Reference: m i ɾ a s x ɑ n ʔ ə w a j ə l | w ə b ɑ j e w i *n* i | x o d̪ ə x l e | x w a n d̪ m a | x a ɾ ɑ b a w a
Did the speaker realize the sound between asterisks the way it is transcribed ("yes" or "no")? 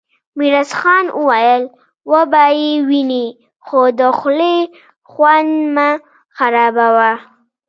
yes